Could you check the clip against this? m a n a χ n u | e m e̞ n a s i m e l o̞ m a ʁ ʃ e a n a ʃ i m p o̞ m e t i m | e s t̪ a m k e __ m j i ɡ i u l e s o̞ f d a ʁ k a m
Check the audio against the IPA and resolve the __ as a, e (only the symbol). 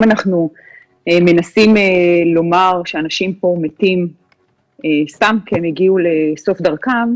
e